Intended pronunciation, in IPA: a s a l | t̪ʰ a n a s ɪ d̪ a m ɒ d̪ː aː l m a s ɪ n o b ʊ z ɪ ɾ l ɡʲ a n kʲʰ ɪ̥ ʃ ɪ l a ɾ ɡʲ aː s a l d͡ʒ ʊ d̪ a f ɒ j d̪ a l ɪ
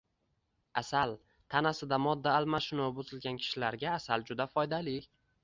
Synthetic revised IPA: a s a l | t̪ʰ a n a s ɪ d̪ a m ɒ d̪ː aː l m a ʃ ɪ n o b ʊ z ɪ l ɡʲ a n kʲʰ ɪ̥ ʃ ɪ l a ɾ ɡʲ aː s a l d͡ʒ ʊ d̪ a f ɒ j d̪ a l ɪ